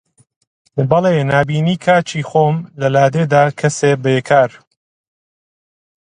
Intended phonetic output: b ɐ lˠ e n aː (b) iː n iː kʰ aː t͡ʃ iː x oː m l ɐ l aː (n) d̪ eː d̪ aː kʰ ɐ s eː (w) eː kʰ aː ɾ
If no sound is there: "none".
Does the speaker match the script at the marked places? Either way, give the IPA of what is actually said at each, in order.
b, none, b

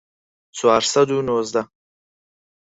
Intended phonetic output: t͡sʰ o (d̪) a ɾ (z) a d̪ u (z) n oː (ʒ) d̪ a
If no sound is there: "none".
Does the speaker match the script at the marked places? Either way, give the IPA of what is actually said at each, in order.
none, s, none, z

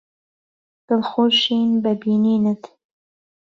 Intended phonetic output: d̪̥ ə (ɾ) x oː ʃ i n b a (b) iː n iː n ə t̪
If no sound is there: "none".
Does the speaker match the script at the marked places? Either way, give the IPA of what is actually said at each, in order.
l, b

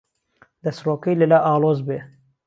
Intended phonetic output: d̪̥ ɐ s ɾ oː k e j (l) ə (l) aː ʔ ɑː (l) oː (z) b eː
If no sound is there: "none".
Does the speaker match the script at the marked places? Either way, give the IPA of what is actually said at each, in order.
l, l, l, z

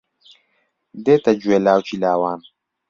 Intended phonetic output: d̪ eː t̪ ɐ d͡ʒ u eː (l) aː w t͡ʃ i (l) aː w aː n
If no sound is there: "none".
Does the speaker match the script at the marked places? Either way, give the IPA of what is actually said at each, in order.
l, l

